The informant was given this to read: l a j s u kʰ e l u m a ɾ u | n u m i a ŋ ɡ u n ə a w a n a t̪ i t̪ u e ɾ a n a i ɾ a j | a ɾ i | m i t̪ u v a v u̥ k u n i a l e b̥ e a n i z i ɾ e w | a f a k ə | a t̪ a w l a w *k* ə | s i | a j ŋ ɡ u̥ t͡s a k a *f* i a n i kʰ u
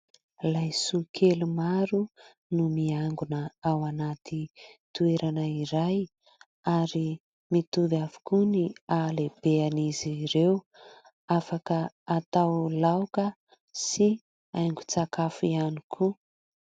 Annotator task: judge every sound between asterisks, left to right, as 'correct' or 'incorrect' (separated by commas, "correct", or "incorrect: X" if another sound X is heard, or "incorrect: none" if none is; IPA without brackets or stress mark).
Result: correct, correct